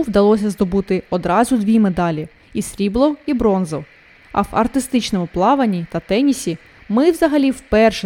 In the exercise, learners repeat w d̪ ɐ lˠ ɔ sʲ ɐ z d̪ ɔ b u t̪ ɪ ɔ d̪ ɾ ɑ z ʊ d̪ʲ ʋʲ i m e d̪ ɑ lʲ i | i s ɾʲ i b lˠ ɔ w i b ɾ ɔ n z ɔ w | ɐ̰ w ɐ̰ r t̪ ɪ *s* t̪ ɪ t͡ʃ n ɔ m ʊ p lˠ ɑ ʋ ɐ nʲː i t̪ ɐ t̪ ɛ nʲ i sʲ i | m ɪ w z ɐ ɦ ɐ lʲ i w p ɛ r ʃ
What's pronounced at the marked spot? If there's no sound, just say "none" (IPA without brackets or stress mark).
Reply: s